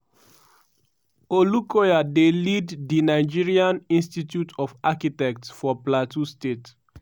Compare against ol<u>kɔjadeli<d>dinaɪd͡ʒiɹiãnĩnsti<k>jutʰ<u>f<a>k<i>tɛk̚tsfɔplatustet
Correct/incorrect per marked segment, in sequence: correct, correct, incorrect, incorrect, correct, correct

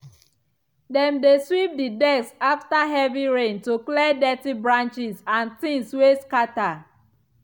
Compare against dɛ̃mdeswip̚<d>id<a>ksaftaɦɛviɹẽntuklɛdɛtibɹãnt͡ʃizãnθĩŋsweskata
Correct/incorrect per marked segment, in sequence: correct, incorrect

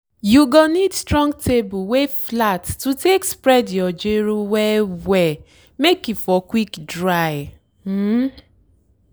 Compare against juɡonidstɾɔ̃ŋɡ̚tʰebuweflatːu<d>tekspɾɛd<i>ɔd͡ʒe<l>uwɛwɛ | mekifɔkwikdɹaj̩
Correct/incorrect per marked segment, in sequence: incorrect, incorrect, incorrect

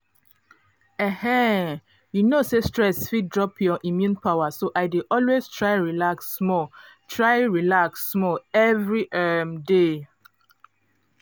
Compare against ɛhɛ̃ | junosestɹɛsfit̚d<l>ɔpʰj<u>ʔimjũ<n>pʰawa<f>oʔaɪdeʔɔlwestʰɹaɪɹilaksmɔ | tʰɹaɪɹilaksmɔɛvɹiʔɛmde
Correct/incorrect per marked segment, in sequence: incorrect, incorrect, correct, incorrect

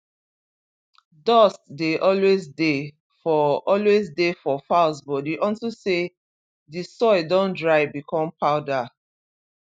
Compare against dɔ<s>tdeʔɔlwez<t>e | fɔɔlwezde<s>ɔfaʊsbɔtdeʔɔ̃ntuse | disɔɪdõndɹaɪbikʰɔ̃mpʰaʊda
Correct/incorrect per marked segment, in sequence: correct, incorrect, incorrect

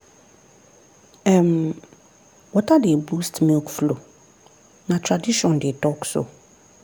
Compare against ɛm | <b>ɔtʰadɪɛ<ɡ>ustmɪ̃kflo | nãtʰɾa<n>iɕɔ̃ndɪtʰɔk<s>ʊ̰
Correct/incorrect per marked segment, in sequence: incorrect, incorrect, incorrect, correct

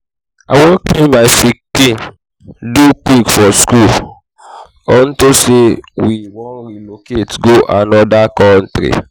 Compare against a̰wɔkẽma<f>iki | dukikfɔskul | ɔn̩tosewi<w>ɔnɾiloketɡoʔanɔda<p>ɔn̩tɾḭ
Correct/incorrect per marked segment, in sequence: correct, correct, incorrect

